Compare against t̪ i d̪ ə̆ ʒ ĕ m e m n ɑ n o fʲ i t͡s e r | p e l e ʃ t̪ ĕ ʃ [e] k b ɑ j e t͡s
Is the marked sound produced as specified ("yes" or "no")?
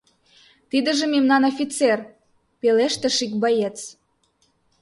no